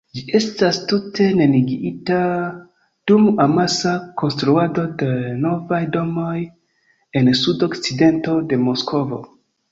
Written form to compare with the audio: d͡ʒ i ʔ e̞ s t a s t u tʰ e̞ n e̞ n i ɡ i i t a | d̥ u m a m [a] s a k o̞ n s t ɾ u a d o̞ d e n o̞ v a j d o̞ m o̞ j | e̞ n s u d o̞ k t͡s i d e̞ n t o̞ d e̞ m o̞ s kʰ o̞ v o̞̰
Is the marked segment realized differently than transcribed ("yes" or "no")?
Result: no